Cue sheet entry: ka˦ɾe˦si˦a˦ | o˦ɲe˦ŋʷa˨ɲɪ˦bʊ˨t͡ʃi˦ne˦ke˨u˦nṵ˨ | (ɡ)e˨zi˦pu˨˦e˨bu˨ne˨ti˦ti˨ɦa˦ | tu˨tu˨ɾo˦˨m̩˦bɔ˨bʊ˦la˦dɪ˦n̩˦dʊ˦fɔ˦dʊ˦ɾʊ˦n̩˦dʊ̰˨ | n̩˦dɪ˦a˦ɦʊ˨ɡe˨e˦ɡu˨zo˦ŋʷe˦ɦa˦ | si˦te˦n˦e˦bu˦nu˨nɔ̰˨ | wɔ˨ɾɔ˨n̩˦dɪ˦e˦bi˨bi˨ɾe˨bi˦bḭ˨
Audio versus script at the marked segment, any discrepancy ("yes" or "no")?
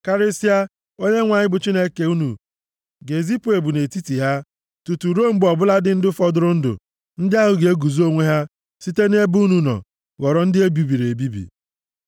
no